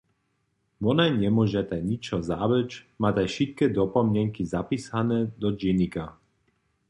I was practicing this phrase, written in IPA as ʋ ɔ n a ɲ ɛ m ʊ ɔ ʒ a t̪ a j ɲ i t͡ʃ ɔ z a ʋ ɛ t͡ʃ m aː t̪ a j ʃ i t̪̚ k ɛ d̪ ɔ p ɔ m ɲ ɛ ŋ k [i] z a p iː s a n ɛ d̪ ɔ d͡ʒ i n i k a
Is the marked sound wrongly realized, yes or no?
no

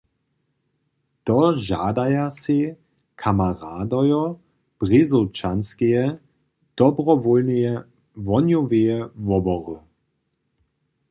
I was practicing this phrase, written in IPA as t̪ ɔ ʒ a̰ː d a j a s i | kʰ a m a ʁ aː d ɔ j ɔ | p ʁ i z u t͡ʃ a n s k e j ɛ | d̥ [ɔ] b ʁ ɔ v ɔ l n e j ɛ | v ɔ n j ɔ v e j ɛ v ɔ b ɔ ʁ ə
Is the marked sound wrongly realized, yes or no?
no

